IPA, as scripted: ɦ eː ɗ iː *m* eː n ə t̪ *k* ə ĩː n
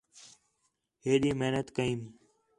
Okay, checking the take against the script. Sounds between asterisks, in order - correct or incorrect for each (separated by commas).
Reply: correct, correct